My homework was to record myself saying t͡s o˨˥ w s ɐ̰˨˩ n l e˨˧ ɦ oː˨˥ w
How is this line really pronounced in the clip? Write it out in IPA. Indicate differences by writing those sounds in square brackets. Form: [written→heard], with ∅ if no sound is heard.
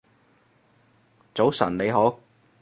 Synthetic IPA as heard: t͡s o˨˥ w s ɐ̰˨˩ n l e˨˧ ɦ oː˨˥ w